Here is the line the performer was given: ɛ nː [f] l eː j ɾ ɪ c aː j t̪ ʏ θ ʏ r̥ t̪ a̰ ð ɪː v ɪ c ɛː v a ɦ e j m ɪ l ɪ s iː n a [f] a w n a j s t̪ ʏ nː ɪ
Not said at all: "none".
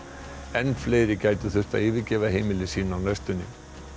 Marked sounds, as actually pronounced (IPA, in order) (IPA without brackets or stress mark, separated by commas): f, none